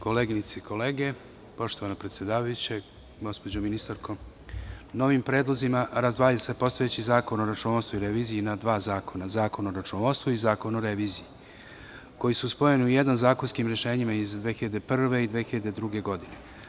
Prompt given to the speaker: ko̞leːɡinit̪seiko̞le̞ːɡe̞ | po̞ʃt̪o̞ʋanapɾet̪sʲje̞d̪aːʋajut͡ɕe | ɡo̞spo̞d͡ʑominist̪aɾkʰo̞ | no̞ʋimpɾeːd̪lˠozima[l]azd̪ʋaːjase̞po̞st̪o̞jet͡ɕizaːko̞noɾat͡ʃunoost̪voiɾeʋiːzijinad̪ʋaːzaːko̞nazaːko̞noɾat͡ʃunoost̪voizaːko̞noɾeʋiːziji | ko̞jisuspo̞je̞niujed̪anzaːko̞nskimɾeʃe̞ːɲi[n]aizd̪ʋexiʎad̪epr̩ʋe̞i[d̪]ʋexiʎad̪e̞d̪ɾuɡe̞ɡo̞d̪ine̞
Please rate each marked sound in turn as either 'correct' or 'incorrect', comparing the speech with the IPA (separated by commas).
incorrect, incorrect, correct